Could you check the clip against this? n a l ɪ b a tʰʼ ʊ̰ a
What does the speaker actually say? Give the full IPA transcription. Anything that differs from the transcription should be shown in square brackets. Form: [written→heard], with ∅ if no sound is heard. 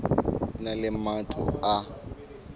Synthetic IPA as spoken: n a l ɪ [b→m] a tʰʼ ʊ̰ a